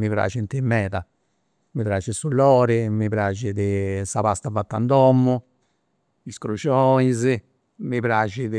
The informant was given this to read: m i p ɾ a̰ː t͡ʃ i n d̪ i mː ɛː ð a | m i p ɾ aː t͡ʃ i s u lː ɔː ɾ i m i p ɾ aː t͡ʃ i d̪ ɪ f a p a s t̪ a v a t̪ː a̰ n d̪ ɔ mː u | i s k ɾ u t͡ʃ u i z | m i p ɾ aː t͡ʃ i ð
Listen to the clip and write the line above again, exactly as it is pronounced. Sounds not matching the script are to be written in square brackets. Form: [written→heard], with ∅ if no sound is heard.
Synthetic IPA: m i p ɾ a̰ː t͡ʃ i n [d̪→t̪] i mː ɛː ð a | m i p ɾ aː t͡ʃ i s u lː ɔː ɾ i m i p ɾ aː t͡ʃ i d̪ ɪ [f→s] a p a s t̪ a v a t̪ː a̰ n d̪ ɔ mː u | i s k ɾ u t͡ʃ [u→ɔ] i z | m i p ɾ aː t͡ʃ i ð